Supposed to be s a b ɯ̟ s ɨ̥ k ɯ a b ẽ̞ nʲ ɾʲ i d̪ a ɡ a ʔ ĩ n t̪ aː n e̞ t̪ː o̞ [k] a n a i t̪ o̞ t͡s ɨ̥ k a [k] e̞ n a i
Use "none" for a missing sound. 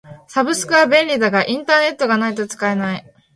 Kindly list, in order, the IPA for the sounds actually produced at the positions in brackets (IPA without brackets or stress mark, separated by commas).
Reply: ɡ, none